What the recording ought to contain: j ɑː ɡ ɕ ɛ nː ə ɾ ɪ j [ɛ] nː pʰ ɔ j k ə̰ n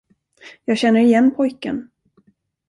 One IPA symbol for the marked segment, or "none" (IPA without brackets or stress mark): ɛ